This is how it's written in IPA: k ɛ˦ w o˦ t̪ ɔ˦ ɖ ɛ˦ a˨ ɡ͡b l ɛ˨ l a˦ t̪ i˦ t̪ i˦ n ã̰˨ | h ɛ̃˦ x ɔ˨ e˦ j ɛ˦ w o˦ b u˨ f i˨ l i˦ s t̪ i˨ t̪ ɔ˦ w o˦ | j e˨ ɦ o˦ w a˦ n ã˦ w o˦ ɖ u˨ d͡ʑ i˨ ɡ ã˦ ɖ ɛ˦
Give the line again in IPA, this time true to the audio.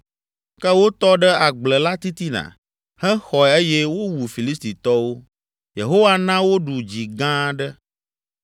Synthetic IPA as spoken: k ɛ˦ w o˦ t̪ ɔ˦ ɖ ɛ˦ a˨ ɡ͡b l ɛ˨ l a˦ t̪ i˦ t̪ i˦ n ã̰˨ | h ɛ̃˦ x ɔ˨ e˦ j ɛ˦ w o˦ w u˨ f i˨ l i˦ s t̪ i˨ t̪ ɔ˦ w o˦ | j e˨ ɦ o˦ w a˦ n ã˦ w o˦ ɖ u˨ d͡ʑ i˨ ɡ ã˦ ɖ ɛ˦

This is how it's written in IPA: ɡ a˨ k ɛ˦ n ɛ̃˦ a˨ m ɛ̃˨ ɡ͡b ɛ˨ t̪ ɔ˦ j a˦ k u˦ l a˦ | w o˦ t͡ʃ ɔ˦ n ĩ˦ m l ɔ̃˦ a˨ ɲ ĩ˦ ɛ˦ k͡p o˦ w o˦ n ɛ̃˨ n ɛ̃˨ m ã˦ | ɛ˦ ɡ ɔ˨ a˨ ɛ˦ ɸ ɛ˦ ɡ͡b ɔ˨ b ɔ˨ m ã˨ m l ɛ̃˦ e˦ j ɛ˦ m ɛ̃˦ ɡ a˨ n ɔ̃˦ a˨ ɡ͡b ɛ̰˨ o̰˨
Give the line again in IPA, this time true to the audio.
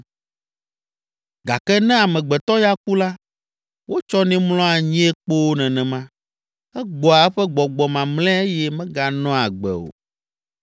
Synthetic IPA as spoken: ɡ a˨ k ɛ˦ n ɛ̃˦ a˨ m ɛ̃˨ ɡ͡b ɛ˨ t̪ ɔ˦ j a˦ k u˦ l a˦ | w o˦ t͡ʃ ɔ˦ n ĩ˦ m l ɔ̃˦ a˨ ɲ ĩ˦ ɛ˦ k͡p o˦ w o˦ n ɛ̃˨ n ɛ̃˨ m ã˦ | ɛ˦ ɡ͡b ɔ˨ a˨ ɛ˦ ɸ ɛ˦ ɡ͡b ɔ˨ ɡ͡b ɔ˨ m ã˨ m l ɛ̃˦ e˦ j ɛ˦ m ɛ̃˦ ɡ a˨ n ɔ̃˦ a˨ ɡ͡b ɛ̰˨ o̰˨

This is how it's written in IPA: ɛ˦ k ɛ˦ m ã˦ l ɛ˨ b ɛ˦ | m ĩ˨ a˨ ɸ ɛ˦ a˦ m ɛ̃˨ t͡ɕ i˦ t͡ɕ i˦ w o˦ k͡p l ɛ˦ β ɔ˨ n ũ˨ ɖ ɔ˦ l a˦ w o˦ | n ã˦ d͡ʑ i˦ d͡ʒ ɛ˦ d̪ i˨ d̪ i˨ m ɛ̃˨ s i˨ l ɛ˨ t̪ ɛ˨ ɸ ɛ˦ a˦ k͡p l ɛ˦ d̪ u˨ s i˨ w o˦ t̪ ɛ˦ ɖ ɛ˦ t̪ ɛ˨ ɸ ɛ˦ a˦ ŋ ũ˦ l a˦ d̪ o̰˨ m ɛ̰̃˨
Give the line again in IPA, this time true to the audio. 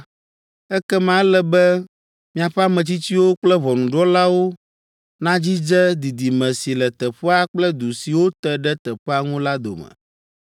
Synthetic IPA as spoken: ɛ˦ k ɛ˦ m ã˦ l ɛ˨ b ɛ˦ | m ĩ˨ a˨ ɸ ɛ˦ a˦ m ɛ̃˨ t͡ɕ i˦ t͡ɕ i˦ w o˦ k͡p l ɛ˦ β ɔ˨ n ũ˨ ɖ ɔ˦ l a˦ w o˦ | n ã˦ d͡ʑ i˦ d͡ʒ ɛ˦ d̪ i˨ d̪ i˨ m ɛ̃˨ s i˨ l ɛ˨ t̪ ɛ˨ ɸ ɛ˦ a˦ k͡p l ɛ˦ d̪ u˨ s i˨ w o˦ t̪ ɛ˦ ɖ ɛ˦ t̪ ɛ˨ ɸ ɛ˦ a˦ ŋ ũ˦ l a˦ d̪ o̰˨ m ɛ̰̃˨

